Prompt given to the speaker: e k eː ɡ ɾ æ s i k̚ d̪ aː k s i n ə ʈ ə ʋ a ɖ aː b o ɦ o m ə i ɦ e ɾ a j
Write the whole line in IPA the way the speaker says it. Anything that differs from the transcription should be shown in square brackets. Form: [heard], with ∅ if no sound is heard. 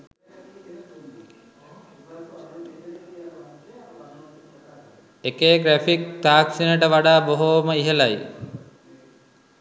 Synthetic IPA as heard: e k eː ɡ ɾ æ [f] i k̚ [t̪] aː k s i n ə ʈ ə ʋ a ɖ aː b o ɦ o m ə i ɦ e [l] a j